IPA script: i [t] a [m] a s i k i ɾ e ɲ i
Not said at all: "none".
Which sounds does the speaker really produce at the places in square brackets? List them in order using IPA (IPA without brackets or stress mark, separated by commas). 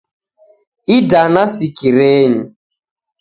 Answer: d, n